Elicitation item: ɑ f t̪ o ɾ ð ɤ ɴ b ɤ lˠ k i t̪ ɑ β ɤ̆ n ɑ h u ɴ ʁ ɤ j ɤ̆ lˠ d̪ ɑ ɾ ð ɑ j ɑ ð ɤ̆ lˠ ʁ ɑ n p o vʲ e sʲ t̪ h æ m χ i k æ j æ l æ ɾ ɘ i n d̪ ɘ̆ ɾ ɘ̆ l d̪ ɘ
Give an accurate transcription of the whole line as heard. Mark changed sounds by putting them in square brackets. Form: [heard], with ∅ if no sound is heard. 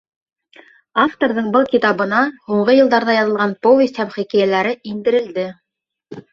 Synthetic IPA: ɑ f t̪ o ɾ ð ɤ ɴ b ɤ lˠ k i t̪ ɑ β ɤ̆ n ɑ h u ɴ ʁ ɤ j ɤ̆ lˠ d̪ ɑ ɾ ð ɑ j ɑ ð ɤ̆ lˠ ʁ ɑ n p o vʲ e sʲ t̪ h æ m χ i k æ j æ l æ ɾ ɘ i n d̪ ɘ̆ ɾ ɘ̆ l d̪ ɘ